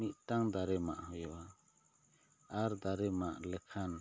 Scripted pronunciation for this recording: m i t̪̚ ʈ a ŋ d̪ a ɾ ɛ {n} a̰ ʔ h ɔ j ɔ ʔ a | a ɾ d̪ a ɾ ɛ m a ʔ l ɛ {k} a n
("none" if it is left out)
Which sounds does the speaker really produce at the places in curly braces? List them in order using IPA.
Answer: m, kʰ

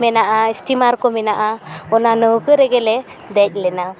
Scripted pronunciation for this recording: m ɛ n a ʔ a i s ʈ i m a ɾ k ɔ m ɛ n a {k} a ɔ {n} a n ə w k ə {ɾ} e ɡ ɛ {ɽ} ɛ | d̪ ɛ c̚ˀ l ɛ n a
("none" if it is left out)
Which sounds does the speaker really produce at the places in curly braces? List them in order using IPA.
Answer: ʔ, n, ɾ, l

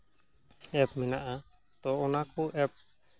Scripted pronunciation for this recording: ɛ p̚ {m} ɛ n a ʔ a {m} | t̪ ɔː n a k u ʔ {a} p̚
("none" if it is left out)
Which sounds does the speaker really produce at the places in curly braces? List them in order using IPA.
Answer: m, none, ɛ

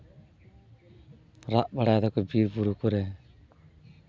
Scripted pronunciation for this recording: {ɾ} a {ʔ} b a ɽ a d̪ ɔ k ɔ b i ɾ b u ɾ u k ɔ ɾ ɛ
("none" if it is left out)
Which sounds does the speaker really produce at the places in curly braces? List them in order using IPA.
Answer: ɾ, ʔ

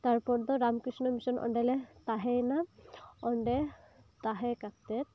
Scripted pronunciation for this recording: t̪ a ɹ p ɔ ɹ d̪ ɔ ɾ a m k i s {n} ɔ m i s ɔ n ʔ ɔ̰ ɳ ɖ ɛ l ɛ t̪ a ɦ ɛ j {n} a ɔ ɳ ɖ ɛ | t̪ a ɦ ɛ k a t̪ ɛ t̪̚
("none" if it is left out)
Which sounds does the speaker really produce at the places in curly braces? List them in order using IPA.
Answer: n, n

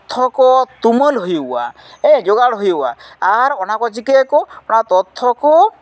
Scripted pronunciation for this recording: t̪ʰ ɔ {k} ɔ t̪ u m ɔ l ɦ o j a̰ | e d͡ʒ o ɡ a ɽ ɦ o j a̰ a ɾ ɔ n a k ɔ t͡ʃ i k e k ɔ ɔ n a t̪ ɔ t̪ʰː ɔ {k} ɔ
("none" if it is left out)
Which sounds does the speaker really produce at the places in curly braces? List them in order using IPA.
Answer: k, k

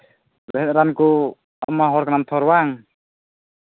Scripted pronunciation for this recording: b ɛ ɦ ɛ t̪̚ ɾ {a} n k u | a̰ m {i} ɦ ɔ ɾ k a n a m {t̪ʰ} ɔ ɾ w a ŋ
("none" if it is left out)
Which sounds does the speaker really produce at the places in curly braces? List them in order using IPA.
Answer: a, a, t̪ʰ

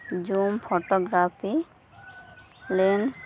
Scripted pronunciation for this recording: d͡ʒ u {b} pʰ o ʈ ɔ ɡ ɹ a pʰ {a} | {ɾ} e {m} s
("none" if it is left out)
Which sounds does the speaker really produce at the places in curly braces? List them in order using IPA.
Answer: m, i, l, n

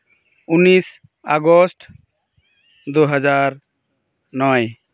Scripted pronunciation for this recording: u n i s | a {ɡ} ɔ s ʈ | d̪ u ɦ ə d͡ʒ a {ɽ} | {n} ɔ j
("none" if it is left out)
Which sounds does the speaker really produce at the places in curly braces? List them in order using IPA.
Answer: ɡ, ɾ, n

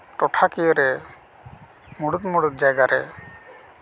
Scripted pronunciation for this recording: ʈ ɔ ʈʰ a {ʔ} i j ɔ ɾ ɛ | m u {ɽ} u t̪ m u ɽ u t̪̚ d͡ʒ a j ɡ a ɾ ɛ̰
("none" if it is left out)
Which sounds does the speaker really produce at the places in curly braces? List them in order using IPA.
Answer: k, ɽ

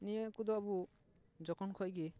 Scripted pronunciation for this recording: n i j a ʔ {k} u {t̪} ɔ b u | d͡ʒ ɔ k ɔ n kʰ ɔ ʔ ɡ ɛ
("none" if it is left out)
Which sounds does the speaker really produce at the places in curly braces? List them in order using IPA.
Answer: k, d̪

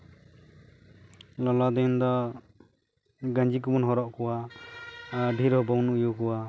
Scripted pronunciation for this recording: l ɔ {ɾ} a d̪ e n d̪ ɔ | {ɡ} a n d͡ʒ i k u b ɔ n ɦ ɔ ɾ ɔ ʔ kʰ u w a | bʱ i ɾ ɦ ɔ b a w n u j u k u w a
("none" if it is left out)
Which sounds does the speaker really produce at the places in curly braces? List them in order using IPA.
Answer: l, ɡ

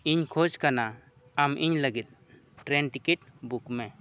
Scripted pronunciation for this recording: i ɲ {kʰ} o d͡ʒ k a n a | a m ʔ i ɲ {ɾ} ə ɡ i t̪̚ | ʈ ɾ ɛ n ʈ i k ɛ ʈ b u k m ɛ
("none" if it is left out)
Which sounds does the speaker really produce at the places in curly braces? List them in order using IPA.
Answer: kʰ, l

